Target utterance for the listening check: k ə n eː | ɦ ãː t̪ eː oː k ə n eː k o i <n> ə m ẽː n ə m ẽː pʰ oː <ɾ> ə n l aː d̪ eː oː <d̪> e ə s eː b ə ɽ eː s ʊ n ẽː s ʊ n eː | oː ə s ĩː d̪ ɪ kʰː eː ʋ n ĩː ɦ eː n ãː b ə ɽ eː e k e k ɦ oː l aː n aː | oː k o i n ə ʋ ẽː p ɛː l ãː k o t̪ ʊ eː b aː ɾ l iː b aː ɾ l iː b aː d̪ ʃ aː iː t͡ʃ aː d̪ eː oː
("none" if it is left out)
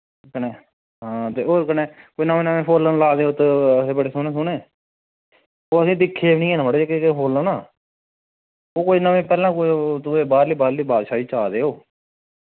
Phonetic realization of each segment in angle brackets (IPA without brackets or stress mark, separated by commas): n, l, t̪